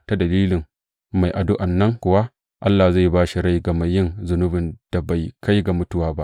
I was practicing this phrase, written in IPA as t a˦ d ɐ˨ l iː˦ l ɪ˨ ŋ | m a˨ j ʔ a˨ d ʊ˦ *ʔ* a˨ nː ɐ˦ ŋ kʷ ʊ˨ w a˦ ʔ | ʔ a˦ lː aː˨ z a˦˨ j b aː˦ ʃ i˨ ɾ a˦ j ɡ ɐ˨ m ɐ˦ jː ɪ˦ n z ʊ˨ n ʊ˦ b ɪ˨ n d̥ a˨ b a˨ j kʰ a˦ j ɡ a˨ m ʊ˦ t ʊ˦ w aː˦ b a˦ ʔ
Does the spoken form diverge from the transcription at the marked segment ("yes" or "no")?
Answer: no